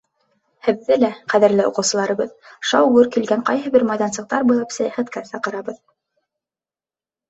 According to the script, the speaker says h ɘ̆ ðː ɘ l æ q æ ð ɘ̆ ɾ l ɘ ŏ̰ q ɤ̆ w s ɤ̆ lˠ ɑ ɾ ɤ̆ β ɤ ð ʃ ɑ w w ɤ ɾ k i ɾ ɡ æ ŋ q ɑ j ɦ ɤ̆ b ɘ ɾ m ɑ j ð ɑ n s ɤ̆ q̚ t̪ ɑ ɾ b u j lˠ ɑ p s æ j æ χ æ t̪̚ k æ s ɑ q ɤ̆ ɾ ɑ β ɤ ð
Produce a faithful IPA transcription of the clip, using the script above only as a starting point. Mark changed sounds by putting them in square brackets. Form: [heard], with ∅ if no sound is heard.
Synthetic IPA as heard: h ɘ̆ ðː ɘ l æ q æ ð ɘ̆ ɾ l ɘ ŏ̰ q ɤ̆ w s ɤ̆ lˠ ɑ ɾ ɤ̆ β ɤ ð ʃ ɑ w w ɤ ɾ k i [l] ɡ æ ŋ q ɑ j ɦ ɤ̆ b ɘ ɾ m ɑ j ð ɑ n s ɤ̆ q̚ t̪ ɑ ɾ b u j lˠ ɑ p s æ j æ χ æ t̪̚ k æ s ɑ q ɤ̆ ɾ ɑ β ɤ ð